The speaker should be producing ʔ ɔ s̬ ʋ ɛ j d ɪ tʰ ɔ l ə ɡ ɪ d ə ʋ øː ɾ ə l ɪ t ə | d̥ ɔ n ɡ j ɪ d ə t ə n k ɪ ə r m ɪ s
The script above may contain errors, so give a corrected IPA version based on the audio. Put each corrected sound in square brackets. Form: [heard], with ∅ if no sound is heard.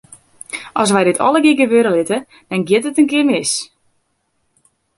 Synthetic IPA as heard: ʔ ɔ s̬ ʋ ɛ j d ɪ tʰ ɔ l ə ɡ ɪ [ɡ] ə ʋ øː ɾ ə l ɪ t ə | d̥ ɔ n ɡ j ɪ [t] ə t ə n k ɪ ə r m ɪ s